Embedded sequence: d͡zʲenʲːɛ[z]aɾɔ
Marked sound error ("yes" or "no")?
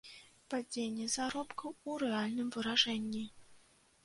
no